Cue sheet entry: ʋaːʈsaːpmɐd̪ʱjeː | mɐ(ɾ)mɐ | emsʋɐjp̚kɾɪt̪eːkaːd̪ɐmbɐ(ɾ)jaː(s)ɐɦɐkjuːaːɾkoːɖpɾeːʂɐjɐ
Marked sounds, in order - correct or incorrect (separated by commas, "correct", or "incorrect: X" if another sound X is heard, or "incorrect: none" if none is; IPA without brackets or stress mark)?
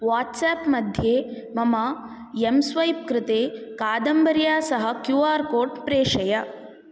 incorrect: none, correct, correct